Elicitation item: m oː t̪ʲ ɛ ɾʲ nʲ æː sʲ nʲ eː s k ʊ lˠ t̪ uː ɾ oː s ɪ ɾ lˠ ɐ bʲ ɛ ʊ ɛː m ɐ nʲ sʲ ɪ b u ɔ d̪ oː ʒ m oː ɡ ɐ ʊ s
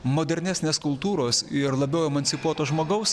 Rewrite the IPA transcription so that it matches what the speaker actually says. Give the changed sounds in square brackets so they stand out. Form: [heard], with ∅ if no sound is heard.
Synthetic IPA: m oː [d̪ʲ] ɛ ɾʲ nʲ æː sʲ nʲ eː s k ʊ lˠ t̪ uː ɾ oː s ɪ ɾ lˠ ɐ bʲ ɛ ʊ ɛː m ɐ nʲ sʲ ɪ [p] u ɔ [t̪] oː ʒ m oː ɡ ɐ ʊ s